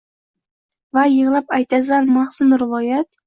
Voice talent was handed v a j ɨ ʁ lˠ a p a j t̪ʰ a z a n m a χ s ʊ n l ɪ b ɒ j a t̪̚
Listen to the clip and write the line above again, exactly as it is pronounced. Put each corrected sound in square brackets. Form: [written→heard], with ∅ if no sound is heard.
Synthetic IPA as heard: v a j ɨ ʁ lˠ a p a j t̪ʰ a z a n m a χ s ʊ n [l→ɾ] ɪ [b→v] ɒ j a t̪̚